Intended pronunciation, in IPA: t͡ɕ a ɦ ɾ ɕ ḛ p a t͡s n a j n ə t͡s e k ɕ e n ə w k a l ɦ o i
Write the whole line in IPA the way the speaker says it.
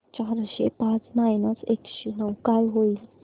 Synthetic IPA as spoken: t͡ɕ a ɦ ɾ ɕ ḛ p a t͡s n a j n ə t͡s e k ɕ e n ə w k a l ɦ o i